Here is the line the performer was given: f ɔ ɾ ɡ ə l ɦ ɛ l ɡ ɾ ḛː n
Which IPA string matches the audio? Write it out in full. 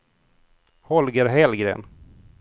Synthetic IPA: h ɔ l ɡ ə ɾ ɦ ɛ l ɡ ɾ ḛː n